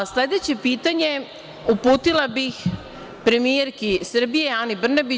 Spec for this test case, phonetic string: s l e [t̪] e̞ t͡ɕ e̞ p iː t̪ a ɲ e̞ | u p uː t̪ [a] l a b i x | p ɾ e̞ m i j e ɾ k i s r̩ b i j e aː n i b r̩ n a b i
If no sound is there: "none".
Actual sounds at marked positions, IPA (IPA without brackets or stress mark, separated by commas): d̪, i